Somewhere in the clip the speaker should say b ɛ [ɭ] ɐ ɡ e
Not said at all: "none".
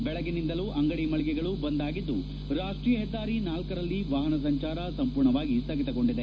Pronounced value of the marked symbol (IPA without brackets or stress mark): ɭ